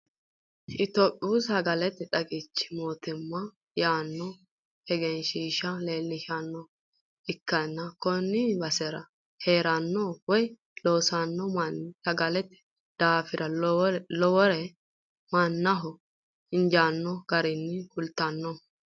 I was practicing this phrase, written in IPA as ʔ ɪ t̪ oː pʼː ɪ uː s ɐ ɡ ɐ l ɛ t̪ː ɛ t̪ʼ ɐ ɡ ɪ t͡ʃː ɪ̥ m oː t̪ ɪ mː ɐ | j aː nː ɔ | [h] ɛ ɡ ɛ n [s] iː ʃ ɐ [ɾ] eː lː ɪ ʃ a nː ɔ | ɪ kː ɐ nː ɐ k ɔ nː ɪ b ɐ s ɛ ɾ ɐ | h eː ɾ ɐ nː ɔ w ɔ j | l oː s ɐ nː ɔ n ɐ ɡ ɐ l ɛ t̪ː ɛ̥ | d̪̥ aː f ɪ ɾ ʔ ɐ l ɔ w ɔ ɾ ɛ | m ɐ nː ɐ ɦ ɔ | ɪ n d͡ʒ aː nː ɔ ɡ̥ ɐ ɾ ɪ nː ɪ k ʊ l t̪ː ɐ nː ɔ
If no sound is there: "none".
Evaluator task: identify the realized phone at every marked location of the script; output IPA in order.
h, ʃ, l

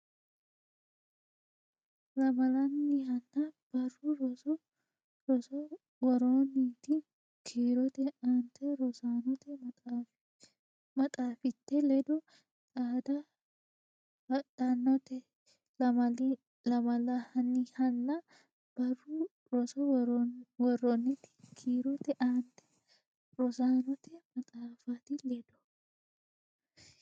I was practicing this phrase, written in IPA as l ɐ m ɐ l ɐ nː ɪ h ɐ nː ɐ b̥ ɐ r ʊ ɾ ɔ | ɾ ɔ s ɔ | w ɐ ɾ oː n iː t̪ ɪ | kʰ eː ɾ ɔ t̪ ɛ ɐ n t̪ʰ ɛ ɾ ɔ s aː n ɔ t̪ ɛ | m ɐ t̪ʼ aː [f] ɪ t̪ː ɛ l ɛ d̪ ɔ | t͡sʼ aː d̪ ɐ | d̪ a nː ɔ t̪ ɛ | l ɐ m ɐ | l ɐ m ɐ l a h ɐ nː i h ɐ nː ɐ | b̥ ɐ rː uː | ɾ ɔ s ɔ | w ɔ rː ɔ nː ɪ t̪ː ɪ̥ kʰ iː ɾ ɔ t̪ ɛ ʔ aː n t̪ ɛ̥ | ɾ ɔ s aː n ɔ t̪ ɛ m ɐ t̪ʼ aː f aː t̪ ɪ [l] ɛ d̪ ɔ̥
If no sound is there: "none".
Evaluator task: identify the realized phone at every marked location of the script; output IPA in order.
f, l

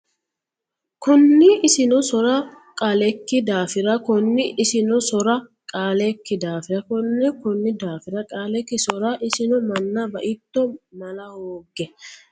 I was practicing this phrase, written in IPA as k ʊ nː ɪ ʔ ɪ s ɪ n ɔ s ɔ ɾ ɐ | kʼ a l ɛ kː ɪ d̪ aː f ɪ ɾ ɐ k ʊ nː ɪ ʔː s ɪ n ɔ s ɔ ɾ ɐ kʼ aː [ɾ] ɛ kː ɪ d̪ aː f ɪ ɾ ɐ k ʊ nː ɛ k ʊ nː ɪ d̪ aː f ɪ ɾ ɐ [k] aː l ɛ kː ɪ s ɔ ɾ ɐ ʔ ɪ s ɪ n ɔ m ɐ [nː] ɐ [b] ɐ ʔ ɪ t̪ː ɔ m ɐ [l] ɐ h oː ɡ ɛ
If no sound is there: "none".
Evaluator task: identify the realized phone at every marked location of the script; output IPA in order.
l, kʼ, nː, b, l

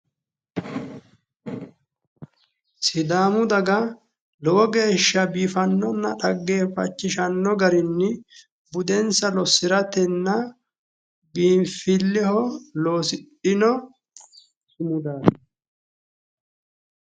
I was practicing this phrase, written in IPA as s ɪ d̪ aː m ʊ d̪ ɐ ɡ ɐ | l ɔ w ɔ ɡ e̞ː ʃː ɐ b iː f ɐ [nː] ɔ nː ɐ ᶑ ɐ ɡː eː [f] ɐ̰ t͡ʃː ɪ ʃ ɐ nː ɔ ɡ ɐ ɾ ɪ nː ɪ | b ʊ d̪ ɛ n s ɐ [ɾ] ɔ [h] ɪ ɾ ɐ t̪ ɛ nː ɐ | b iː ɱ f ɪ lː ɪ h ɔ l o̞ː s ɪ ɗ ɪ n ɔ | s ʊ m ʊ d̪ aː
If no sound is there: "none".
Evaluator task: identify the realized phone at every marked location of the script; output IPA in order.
nː, f, l, s

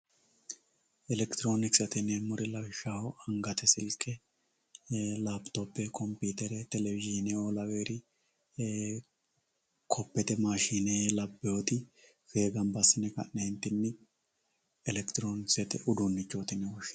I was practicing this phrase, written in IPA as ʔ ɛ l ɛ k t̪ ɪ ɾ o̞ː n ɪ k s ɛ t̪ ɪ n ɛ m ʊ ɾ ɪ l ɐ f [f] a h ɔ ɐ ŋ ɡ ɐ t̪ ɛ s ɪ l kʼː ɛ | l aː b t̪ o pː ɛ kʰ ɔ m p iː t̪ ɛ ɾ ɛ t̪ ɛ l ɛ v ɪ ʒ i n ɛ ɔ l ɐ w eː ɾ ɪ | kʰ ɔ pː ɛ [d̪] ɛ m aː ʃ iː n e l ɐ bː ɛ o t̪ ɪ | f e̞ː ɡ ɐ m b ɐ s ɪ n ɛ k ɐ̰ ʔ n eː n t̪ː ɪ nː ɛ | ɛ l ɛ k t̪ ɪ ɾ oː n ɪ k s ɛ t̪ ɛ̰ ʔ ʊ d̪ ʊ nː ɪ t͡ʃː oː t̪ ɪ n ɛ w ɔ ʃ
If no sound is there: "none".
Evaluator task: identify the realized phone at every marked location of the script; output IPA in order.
ʃ, t̪

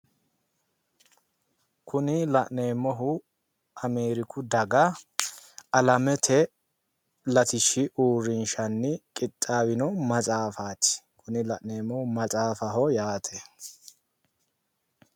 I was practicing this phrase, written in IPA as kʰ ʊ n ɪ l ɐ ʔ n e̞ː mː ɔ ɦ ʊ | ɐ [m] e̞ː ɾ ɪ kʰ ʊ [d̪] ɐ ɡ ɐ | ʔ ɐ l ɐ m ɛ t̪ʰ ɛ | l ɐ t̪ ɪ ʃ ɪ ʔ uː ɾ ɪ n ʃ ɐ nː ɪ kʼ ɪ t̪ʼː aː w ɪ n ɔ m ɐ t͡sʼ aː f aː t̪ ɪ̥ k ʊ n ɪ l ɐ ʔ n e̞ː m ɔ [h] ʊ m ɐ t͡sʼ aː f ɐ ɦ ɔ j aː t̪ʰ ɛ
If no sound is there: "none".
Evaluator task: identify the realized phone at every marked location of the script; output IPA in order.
m, d̪, h

